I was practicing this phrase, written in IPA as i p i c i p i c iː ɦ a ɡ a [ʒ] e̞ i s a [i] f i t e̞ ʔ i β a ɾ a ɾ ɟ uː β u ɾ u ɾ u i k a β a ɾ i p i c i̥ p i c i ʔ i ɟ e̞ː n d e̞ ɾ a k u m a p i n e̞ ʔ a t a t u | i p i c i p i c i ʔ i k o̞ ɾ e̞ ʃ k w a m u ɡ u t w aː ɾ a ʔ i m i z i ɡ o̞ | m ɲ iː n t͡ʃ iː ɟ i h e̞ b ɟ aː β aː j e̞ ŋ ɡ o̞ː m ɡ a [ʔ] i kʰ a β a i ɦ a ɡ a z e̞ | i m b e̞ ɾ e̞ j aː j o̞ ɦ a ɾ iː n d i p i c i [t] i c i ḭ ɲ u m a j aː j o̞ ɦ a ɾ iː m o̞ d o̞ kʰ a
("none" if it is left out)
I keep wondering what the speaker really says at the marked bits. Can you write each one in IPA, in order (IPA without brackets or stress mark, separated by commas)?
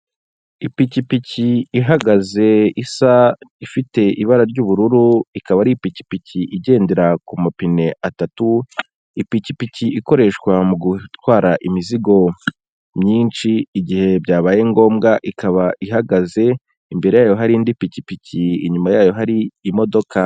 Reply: z, i, ʔ, p